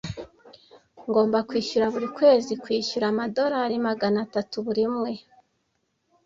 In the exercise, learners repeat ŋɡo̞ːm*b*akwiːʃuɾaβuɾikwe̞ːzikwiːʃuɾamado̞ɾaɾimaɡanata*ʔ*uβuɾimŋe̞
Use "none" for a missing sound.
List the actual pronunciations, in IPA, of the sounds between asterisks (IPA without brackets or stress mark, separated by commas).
b, t